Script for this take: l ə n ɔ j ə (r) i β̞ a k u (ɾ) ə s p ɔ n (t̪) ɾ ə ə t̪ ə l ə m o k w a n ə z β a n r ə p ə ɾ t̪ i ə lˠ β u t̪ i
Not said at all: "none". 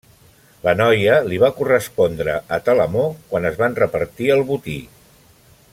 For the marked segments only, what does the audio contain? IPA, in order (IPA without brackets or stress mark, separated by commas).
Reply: l, r, d̪